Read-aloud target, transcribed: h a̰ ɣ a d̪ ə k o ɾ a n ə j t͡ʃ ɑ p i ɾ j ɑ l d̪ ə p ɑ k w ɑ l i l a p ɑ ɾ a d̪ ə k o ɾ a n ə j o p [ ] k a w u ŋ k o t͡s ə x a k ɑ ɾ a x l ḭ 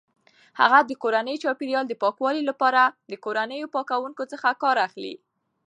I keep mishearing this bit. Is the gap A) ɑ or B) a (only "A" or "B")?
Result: A